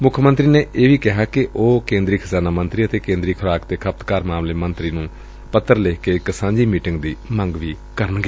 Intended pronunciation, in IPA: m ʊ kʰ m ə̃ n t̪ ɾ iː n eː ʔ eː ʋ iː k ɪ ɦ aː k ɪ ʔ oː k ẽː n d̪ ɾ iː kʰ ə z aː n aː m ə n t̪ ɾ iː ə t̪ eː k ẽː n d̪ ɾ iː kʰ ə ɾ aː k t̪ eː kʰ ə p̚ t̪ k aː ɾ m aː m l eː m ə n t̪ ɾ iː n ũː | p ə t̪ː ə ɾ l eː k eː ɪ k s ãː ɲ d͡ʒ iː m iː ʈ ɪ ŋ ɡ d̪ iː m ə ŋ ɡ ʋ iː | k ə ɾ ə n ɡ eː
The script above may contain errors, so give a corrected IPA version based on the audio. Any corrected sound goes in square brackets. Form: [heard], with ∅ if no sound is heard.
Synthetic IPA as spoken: m ʊ kʰ m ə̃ n t̪ ɾ iː n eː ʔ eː ʋ iː k ɪ ɦ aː k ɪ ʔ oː k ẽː n d̪ ɾ iː kʰ ə z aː n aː m ə n t̪ ɾ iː ə t̪ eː k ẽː n d̪ ɾ iː kʰ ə ɾ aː k t̪ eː kʰ ə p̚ t̪ k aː ɾ m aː m l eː m ə n t̪ ɾ iː n ũː | p ə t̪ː ə ɾ l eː k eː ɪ k s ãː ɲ d͡ʒ iː m iː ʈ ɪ ŋ ɡ d̪ iː m ə ŋ ɡ ʋ iː | k ə ɾ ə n ɡ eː